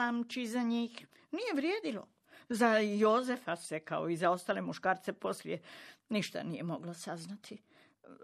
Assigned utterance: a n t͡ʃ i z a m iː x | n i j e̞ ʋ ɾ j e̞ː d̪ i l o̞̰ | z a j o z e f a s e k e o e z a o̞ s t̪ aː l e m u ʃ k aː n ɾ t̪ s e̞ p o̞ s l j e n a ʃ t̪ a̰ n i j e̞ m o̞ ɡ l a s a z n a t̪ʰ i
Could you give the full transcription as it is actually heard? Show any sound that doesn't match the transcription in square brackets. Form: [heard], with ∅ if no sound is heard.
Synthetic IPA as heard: a [m] t͡ʃ i z a [ɲ] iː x | n i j e̞ ʋ ɾ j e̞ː d̪ i l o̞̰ | z a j o z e f a s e k [a] o [i] z a o̞ s t̪ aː l e m u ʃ k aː [∅] ɾ t̪ s e̞ p o̞ s l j e n [i] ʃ t̪ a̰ n i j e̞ m o̞ ɡ l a s a z n a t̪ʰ i